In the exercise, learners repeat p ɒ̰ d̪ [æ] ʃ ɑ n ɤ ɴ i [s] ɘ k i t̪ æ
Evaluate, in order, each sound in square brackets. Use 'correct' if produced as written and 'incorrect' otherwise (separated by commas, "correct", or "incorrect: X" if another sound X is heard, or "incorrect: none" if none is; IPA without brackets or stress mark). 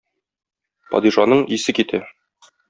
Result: incorrect: i, correct